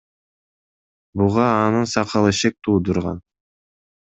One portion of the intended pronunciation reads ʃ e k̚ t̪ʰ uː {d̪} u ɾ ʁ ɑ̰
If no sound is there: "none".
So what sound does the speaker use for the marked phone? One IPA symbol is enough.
d̪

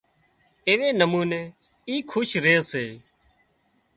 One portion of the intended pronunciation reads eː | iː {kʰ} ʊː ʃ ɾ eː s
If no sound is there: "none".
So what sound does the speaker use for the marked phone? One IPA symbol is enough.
kʰ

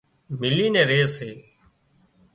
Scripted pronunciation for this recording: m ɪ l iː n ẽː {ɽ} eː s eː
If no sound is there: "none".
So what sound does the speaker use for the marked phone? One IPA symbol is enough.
ɾ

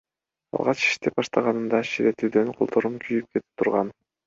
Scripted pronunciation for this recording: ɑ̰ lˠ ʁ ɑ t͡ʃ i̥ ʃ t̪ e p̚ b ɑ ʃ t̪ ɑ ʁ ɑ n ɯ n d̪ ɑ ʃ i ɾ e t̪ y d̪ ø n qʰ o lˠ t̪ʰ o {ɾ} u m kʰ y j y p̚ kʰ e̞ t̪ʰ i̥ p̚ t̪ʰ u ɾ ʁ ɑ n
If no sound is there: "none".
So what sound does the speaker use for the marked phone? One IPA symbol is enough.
ɾ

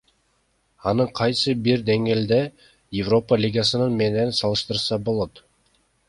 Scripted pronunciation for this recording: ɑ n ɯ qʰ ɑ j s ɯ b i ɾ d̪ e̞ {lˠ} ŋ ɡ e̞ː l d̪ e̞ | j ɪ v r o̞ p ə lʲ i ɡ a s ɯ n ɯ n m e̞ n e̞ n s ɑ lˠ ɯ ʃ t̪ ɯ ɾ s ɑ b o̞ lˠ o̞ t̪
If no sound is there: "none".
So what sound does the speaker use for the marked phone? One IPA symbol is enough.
none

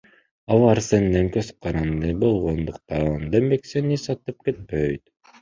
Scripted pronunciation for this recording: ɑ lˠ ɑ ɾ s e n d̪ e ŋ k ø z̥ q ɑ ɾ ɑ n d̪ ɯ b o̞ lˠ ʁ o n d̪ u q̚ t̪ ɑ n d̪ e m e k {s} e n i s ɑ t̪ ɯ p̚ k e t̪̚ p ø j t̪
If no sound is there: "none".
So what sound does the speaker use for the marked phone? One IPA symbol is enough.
s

